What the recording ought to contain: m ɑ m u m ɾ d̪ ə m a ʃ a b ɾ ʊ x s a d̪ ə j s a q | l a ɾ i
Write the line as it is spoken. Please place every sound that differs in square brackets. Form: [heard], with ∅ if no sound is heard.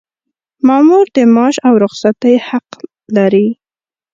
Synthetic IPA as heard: m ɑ m u [∅] ɾ d̪ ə m [ɑ] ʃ a [w] ɾ ʊ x s a [t̪] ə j [h] a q | l a ɾ i

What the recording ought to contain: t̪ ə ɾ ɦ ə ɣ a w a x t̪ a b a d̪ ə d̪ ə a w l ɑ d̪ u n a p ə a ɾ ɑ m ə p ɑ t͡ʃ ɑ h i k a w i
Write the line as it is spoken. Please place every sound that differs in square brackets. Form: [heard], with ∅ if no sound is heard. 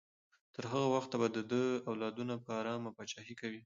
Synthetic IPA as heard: t̪ ə ɾ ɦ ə ɣ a w a x t̪ a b a d̪ ə d̪ ə a w l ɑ d̪ u n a p ə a ɾ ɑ m [a] p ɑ t͡ʃ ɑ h i k a w i

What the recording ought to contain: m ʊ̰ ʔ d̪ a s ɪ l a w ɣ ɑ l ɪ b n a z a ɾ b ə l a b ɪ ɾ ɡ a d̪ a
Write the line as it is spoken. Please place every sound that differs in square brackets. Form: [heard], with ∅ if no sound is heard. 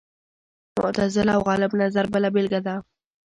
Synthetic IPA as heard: m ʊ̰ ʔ [t̪] a [z] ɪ l a w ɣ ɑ l ɪ b n a z a ɾ b ə l a b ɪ [l] ɡ a d̪ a

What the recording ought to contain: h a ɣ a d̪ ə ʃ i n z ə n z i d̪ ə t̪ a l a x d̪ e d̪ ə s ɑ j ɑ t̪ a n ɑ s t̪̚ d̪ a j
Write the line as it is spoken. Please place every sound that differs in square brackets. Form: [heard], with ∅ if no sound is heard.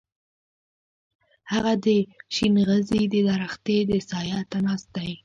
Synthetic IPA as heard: h a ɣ a d̪ ə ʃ i n [ɣ] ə [∅] z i d̪ ə [d̪] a [ɾ] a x [t̪] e d̪ ə s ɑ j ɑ t̪ a n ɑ s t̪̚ d̪ a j

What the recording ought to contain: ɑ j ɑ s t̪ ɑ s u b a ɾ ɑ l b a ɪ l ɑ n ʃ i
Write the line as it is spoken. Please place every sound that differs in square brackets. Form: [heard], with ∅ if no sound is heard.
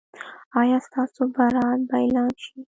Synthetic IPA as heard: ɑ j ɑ s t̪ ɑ s [o] b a ɾ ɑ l b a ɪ l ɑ n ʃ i

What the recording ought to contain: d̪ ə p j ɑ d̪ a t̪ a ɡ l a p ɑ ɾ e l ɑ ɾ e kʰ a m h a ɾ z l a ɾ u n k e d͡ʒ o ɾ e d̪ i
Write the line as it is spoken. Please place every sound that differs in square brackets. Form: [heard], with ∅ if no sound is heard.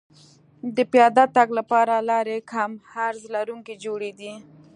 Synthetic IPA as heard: d̪ ə p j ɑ d̪ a t̪ a ɡ l a p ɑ ɾ [a] l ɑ ɾ e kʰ a m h a ɾ z l a ɾ u [ŋ] k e d͡ʒ o [ɽ] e d̪ i

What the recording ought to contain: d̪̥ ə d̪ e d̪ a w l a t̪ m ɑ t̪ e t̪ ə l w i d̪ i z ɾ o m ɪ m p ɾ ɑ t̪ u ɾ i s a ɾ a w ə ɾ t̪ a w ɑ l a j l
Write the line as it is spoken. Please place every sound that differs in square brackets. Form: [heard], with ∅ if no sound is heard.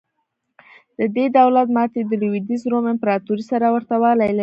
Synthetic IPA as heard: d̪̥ ə d̪ e d̪ a w l a t̪ m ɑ t̪ e [d̪] ə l w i d̪ i z ɾ o m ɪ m p ɾ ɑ t̪ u ɾ i s a ɾ a w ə ɾ t̪ a w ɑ l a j l

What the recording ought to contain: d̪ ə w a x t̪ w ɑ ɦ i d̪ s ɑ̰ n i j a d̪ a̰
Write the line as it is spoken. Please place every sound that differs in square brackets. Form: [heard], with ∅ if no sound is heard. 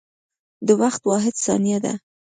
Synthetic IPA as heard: d̪ ə w a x t̪ w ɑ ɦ [ɪ] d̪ s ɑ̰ n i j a d̪ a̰

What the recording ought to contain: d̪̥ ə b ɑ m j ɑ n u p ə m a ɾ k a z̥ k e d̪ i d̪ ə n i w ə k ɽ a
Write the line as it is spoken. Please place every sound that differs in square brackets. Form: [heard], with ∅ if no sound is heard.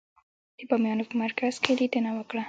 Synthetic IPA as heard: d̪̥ ə b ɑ m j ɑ n [o] p ə m a ɾ k a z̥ k e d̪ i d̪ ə n [a] w ə k ɽ a

